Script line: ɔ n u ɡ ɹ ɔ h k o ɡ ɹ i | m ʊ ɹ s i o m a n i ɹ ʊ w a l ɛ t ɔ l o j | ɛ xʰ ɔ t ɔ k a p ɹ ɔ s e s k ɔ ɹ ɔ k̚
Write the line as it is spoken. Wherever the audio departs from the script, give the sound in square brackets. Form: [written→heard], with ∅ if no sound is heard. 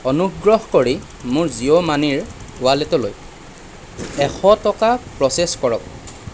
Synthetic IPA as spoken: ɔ n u ɡ ɹ ɔ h k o [ɡ→∅] ɹ i | m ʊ ɹ [s→z] i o m a n i ɹ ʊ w a l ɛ t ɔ l o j | ɛ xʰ ɔ t ɔ k a p ɹ ɔ s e s k ɔ ɹ ɔ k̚

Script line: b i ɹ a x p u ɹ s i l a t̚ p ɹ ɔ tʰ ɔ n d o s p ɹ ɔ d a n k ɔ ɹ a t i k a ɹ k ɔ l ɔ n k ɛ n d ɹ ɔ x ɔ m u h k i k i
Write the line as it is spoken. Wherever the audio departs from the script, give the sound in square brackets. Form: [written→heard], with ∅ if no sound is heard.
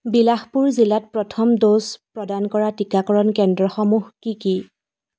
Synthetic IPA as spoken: b i [ɹ→l] a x p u ɹ [s→z] i l a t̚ p ɹ ɔ tʰ ɔ [n→m] d o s p ɹ ɔ d a n k ɔ ɹ a t i k a [ɹ→∅] k ɔ [l→ɹ] ɔ n k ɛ n d ɹ ɔ x ɔ m u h k i k i

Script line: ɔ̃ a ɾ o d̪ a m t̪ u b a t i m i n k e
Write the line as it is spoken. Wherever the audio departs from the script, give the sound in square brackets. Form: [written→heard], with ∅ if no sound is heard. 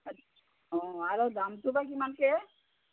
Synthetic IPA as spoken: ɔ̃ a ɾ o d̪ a m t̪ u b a [t→k] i m [i→a] n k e

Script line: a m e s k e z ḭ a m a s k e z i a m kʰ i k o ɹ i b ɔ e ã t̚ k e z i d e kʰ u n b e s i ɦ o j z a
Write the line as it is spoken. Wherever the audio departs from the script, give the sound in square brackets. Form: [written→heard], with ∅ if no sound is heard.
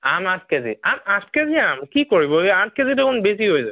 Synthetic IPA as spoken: a m [e→a] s k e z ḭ a m a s k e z i a m [kʰ→k] i k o ɹ i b ɔ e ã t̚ k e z i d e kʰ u n b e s i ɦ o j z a

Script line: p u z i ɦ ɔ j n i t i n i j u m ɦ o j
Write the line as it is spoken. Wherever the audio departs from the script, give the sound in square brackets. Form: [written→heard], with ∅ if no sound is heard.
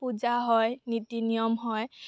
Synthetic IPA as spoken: p u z [i→a] ɦ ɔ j n i t i n i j [u→ɔ] m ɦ [o→ɔ] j

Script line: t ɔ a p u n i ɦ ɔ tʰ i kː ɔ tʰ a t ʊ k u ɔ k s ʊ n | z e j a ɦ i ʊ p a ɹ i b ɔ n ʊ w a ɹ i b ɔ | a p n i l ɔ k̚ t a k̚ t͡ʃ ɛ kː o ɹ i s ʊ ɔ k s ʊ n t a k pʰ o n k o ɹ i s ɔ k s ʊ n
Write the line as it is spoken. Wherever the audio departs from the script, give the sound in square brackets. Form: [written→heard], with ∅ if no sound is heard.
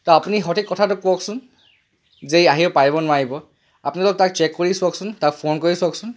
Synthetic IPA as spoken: t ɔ a p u n i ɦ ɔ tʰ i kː ɔ tʰ a t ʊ k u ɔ k s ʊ n | z e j a ɦ i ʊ p a ɹ i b ɔ n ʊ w a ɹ i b ɔ | a p n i l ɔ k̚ t a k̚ t͡ʃ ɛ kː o ɹ i s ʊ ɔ k s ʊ n t a k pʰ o n k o ɹ i s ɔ k s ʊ n

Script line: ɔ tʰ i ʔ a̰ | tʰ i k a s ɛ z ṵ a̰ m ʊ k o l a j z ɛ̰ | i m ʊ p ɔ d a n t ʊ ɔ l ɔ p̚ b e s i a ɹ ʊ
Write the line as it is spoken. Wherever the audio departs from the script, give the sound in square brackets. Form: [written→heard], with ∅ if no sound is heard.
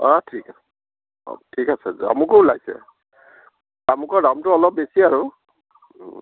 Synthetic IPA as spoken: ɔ tʰ i [ʔ→k] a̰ | tʰ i k a s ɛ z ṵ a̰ m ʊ k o l a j [z→s] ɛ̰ | [i→a] m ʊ [p→k] ɔ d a [n→m] t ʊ ɔ l ɔ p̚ b e s i a ɹ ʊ

